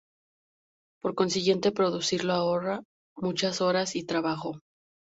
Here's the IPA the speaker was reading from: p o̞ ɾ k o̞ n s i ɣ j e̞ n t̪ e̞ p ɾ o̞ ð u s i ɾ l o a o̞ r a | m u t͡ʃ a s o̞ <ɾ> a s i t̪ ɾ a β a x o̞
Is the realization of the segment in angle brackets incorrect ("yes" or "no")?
no